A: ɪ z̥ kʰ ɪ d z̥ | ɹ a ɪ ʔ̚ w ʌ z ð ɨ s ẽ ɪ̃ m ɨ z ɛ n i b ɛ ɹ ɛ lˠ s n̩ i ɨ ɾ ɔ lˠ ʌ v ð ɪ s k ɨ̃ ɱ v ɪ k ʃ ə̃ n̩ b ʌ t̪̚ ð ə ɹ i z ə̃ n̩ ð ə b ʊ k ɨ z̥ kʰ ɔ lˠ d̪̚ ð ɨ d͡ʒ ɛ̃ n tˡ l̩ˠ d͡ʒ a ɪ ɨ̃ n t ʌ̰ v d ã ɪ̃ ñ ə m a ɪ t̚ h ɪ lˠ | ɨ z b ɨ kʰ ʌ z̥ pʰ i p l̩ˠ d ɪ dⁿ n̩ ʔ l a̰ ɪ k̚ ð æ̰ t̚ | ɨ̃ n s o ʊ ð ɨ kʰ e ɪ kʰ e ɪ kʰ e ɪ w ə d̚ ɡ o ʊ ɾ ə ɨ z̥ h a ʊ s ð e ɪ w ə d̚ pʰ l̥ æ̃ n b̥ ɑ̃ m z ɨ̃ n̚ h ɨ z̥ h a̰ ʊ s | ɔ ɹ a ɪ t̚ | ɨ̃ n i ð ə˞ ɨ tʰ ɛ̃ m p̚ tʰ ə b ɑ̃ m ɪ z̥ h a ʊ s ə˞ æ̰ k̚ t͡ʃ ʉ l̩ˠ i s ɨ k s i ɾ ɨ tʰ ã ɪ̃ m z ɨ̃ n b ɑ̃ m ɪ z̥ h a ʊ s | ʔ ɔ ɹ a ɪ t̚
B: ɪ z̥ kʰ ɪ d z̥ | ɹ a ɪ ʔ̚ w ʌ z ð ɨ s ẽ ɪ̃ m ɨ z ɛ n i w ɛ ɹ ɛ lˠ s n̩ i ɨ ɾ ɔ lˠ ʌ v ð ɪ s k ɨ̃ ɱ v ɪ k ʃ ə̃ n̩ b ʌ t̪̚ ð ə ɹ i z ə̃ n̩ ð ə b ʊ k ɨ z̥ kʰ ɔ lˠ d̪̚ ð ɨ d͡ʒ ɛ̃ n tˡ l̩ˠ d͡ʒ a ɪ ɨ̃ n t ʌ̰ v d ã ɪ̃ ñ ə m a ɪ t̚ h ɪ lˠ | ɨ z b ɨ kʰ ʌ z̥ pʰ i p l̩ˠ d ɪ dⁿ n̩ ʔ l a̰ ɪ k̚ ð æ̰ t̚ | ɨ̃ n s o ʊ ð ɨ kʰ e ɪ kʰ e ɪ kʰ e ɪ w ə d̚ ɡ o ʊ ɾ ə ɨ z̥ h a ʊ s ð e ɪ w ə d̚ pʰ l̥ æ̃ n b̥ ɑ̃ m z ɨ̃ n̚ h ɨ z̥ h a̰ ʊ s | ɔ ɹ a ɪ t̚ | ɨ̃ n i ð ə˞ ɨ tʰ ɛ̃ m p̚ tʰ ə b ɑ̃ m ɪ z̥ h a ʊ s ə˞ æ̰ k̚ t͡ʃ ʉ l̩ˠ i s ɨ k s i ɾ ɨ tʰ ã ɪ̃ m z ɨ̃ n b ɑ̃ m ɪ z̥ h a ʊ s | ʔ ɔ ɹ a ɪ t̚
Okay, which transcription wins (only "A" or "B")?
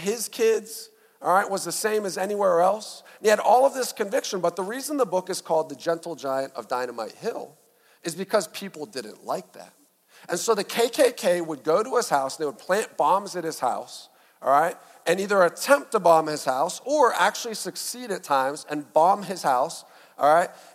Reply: B